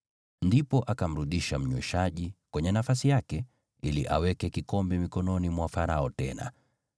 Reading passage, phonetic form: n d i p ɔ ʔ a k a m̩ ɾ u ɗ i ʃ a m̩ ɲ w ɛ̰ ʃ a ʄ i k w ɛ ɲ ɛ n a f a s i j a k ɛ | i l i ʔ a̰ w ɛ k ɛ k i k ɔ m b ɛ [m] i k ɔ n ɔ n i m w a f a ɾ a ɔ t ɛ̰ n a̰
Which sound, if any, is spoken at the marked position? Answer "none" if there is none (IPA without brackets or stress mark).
m